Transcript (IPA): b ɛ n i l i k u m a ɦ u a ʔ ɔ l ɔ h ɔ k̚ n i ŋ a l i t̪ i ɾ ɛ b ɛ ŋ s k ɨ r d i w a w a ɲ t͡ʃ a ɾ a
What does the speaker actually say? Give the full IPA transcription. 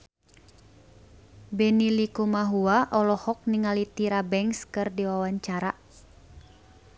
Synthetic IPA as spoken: b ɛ n i l i k u m a ɦ u a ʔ ɔ l ɔ h ɔ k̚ n i ŋ a l i t̪ i ɾ a b ɛ ŋ s k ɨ r d i w a w a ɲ t͡ʃ a ɾ a

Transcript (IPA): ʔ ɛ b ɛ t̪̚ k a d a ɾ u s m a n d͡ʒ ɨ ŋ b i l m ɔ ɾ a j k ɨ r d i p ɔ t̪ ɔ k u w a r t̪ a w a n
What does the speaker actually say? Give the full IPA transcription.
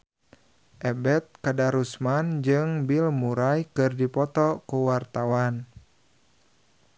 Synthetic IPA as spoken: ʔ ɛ b ɛ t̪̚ k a d a ɾ u s m a n d͡ʒ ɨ ŋ b i l m u ɾ a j k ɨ r d i p ɔ t̪ ɔ k u w a r t̪ a w a n

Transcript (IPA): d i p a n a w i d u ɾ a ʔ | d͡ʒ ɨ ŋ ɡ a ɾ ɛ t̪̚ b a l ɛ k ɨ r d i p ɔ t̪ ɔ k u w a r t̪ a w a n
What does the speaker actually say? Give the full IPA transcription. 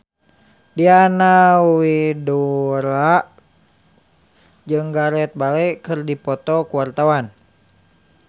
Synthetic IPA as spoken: d i a n a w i d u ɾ a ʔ | d͡ʒ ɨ ŋ ɡ a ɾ ɛ t̪̚ b a l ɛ k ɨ r d i p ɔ t̪ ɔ k u w a r t̪ a w a n

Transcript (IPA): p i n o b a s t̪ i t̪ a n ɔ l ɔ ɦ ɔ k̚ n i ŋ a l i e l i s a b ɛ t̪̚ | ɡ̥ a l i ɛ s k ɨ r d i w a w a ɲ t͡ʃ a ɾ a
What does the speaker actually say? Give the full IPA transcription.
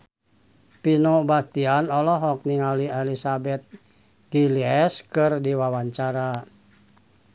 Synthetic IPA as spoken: p i n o b a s t̪ i a n ɔ l ɔ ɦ ɔ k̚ n i ŋ a l i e l i s a b ɛ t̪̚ | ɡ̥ i l i ɛ s k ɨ r d i w a w a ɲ t͡ʃ a ɾ a

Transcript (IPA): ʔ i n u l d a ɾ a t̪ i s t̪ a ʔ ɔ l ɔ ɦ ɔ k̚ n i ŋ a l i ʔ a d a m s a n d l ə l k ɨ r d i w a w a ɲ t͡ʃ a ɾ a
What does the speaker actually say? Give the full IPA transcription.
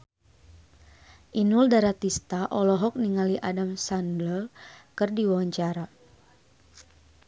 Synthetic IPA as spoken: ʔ i n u l d a ɾ a t̪ i s t̪ a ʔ ɔ l ɔ ɦ ɔ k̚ n i ŋ a l i ʔ a d a m s a n d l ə l k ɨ r d i w a w a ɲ t͡ʃ a ɾ a

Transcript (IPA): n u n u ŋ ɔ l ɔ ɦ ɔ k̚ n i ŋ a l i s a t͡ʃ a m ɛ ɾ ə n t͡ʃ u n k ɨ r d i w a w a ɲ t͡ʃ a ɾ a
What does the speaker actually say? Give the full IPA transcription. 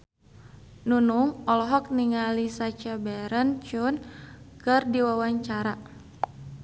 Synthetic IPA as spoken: n u n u ŋ ɔ l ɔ ɦ ɔ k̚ n i ŋ a l i s a t͡ʃ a b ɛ ɾ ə n t͡ʃ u n k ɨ r d i w a w a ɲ t͡ʃ a ɾ a

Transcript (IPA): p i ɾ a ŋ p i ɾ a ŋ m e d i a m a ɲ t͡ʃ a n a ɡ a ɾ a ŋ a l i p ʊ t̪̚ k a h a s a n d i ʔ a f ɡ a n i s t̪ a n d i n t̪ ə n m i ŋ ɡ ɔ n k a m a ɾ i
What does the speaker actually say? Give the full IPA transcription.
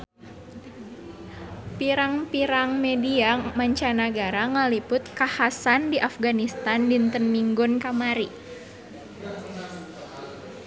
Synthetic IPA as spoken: p i ɾ a ŋ p i ɾ a ŋ m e d i a m a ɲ t͡ʃ a n a ɡ a ɾ a ŋ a l i p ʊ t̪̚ k a h a s a n d i ʔ a f ɡ a n i s t̪ a n d i n t̪ ə n m i ŋ ɡ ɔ n k a m a ɾ i

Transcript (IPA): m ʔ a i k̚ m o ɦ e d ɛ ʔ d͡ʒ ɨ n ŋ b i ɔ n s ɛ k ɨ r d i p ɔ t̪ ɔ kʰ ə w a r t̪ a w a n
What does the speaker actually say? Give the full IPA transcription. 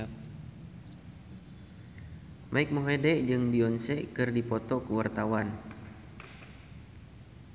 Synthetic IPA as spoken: m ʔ a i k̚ m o ɦ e d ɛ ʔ d͡ʒ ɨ ŋ b i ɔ n s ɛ k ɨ r d i p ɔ t̪ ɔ k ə w a r t̪ a w a n

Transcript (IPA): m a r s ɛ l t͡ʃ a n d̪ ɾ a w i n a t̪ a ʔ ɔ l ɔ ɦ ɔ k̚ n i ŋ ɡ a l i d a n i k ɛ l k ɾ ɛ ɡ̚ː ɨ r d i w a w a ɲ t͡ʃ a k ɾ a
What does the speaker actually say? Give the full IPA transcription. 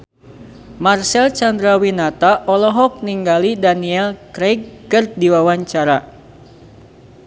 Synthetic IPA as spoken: m a r s ɛ l t͡ʃ a n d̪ ɾ a w i n a t̪ a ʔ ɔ l ɔ ɦ ɔ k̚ n i ŋ ɡ a l i d a n i ɛ l k ɾ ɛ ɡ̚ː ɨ r d i w a w a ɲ t͡ʃ a ɾ a

